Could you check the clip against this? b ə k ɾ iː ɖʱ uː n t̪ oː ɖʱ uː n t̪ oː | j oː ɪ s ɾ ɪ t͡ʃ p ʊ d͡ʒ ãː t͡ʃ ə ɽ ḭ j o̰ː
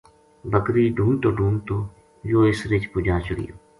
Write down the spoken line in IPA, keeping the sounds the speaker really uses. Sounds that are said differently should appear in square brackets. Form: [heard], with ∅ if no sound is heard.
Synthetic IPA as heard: b ə k ɾ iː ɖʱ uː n t̪ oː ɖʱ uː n t̪ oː | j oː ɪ s ɾ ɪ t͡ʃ p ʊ d͡ʒ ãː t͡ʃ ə ɽ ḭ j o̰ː